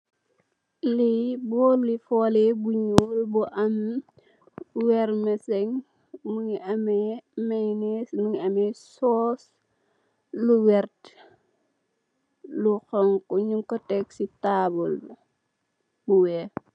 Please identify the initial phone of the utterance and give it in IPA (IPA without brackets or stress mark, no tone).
l